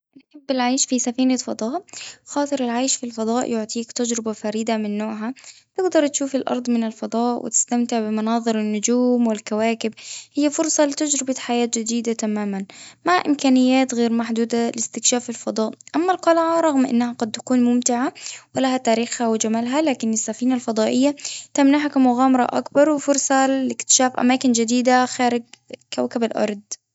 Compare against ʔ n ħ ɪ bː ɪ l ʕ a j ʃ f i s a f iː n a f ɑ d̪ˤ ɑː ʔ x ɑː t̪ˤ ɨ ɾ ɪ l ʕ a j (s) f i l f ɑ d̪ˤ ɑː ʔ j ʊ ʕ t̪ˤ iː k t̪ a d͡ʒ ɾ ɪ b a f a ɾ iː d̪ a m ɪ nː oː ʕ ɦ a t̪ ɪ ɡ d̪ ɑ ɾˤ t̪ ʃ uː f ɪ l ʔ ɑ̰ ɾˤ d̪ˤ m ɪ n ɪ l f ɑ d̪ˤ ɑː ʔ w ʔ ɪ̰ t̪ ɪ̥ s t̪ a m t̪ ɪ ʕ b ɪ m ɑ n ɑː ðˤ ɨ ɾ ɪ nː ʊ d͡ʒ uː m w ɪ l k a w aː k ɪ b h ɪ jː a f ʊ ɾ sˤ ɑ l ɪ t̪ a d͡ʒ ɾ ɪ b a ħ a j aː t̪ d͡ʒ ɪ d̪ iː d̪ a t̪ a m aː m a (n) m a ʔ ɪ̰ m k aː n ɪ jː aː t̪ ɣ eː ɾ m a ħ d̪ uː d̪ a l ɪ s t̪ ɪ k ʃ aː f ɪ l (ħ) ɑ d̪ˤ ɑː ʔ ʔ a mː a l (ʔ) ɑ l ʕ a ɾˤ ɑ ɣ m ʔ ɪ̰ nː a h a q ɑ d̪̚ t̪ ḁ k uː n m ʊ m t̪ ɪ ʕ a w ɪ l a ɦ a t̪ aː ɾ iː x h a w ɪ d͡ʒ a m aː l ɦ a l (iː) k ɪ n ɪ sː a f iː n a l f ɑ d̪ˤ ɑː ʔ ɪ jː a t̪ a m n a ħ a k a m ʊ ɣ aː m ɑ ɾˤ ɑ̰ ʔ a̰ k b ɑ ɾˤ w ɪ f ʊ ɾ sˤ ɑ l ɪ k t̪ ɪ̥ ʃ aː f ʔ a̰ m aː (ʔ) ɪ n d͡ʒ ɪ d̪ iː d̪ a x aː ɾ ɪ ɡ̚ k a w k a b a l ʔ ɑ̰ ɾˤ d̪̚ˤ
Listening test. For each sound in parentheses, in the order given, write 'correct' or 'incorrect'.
incorrect: ʃ, correct, incorrect: f, incorrect: q, incorrect: aː, incorrect: k

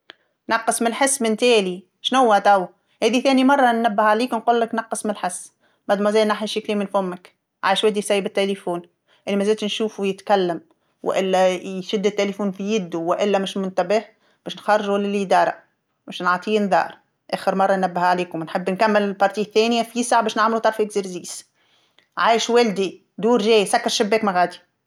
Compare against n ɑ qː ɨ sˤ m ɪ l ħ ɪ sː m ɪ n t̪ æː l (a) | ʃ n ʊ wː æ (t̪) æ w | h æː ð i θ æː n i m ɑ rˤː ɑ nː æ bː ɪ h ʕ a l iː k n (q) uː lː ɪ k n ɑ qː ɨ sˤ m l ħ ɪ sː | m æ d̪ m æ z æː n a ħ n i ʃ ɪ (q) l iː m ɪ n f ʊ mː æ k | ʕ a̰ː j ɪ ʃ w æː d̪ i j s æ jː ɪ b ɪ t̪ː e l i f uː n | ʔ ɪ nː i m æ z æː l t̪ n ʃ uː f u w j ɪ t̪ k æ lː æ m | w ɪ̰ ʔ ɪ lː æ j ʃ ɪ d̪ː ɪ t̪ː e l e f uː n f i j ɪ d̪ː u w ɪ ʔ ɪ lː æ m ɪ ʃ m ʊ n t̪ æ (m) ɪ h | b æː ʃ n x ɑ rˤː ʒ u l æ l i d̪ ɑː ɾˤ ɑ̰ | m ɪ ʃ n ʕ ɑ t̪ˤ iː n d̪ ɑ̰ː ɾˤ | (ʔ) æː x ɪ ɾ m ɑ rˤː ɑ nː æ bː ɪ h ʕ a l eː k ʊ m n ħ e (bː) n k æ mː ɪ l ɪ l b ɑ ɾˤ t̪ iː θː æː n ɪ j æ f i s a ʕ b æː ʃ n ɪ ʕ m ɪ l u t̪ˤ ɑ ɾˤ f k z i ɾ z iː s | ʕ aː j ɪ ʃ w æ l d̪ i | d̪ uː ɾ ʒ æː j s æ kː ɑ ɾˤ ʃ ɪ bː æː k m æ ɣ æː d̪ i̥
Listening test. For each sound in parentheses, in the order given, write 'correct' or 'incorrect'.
incorrect: i, correct, correct, incorrect: k, incorrect: b, correct, correct

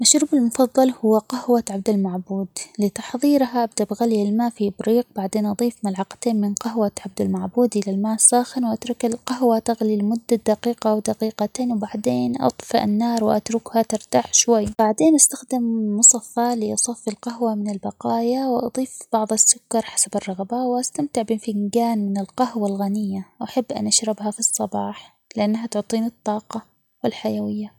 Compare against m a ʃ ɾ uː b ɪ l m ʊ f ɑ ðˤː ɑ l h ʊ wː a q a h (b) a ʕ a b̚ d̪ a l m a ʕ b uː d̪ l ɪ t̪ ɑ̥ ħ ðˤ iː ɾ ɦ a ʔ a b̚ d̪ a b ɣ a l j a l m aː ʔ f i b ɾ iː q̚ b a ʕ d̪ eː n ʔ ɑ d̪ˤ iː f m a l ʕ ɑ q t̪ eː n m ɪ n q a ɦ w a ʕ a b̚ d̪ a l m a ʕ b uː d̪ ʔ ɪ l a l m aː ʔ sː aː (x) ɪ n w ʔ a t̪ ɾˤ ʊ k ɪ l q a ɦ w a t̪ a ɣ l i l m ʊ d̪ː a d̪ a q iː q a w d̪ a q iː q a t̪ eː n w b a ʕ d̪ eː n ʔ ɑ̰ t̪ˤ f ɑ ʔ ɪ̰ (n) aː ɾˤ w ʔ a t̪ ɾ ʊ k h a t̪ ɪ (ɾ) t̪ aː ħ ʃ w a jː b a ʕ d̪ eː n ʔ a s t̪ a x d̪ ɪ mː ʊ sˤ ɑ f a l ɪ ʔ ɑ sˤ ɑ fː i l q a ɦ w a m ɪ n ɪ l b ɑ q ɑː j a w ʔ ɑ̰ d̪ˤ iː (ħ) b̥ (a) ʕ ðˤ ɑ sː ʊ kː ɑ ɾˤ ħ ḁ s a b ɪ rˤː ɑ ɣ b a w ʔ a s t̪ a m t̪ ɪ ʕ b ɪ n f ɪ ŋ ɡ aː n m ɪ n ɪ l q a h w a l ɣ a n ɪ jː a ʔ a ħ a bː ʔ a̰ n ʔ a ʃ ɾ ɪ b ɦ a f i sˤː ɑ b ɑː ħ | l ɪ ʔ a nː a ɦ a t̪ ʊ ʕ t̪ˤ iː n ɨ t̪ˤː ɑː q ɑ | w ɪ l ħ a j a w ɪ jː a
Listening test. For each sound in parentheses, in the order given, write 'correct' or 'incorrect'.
incorrect: w, correct, incorrect: nː, correct, incorrect: f, incorrect: ɑ

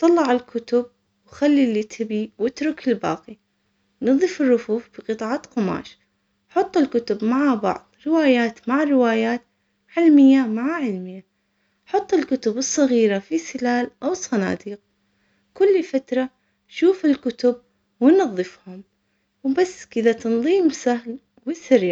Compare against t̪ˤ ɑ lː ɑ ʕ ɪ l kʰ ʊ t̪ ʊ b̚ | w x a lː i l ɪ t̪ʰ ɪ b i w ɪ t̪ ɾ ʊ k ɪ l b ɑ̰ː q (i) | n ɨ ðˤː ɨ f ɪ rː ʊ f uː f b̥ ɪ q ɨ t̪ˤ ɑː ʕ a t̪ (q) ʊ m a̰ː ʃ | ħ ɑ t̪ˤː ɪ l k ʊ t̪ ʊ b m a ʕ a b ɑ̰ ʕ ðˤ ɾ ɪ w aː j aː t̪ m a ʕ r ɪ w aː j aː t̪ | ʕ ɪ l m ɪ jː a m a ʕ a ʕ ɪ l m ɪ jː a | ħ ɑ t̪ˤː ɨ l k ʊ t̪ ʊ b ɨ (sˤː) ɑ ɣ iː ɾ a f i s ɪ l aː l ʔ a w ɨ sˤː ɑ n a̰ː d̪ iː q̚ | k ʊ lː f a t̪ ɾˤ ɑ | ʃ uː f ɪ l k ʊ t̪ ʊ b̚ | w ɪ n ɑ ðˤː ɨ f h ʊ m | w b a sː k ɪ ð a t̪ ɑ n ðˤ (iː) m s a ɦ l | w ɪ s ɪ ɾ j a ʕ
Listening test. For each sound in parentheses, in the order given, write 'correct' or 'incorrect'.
correct, correct, correct, correct

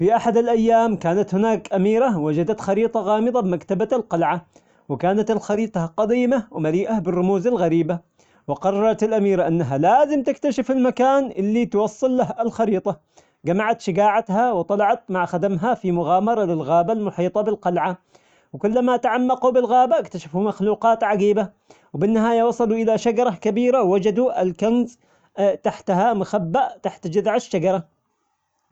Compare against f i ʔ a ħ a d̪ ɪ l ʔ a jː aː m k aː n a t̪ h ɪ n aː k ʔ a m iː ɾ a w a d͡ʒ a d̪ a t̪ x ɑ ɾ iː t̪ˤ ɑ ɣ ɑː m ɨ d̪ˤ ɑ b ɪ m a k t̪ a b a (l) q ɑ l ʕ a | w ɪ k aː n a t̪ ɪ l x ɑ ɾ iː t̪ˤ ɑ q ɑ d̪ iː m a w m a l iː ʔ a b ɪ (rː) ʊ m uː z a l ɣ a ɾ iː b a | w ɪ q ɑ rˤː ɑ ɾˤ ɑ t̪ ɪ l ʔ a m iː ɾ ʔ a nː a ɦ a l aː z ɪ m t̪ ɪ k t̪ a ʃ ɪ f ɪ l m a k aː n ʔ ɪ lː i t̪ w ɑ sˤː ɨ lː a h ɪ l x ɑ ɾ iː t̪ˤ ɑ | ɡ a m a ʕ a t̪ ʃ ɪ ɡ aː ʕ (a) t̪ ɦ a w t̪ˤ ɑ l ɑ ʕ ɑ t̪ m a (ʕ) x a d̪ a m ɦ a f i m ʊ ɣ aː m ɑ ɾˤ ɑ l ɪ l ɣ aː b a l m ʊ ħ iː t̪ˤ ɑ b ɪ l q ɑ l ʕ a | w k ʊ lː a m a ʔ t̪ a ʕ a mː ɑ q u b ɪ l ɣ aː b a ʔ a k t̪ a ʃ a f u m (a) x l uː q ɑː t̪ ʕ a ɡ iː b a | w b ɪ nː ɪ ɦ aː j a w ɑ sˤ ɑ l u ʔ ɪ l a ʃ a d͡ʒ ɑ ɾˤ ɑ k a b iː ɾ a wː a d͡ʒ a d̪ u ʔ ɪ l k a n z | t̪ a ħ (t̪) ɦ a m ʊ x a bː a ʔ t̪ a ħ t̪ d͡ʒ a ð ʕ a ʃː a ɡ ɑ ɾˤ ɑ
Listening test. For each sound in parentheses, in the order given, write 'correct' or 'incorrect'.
correct, correct, correct, correct, correct, correct

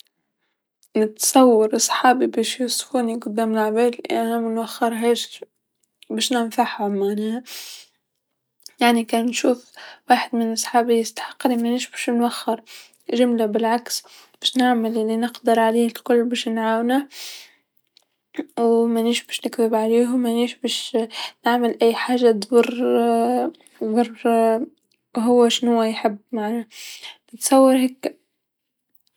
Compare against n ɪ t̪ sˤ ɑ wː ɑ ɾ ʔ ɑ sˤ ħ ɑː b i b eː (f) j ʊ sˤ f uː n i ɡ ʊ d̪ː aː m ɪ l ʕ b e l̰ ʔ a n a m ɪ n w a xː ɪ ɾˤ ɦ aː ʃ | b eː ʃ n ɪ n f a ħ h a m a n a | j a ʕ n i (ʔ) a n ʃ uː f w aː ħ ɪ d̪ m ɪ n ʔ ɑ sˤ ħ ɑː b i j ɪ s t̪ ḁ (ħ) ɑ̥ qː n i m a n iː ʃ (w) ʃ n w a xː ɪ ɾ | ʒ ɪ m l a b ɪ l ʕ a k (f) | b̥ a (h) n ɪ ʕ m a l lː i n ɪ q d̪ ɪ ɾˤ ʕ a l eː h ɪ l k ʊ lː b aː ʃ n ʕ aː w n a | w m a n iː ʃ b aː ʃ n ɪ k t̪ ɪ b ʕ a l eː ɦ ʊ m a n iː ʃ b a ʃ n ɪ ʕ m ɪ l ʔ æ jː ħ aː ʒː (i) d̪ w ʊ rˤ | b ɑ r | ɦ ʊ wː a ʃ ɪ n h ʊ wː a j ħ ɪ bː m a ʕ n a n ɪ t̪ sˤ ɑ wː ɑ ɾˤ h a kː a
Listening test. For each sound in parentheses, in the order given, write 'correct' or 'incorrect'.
incorrect: ʃ, incorrect: k, correct, incorrect: b, incorrect: s, incorrect: ʃ, incorrect: a

